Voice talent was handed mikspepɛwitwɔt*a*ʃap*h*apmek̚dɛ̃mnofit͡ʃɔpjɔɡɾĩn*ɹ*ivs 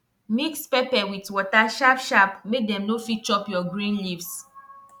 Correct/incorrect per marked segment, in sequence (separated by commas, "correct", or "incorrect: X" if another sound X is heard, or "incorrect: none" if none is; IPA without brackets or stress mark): correct, incorrect: ʃ, incorrect: l